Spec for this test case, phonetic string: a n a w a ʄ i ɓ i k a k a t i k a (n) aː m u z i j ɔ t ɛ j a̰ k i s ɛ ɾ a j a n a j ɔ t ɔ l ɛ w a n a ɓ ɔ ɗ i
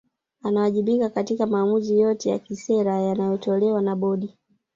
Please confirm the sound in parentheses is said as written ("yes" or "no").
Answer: no